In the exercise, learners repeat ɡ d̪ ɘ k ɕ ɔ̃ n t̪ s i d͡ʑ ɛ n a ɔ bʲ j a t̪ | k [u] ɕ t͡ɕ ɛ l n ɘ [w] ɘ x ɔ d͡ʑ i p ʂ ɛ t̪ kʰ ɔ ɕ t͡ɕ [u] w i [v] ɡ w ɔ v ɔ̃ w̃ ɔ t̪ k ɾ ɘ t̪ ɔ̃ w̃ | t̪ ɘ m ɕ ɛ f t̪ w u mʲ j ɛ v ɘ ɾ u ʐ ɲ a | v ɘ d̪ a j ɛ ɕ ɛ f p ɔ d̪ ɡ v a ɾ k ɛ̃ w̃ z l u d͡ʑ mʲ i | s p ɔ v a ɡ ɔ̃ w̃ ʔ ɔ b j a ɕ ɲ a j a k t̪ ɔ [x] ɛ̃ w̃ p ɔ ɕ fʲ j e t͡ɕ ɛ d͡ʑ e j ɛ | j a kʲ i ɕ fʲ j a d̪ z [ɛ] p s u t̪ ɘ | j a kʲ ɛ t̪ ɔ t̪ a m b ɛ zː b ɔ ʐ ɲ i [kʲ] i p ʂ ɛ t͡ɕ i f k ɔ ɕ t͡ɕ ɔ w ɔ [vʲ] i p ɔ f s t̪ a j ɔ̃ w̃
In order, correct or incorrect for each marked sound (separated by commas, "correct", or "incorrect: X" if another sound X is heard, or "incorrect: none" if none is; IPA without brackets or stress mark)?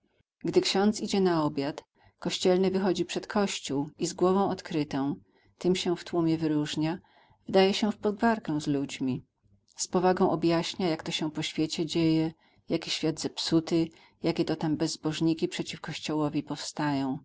incorrect: ɔ, incorrect: v, correct, incorrect: z, incorrect: ɕ, correct, correct, correct